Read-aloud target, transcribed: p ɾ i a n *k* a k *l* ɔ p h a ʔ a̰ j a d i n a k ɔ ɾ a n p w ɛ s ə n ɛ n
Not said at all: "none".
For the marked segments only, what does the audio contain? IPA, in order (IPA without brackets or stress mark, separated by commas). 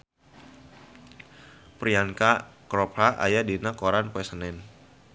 k, ɾ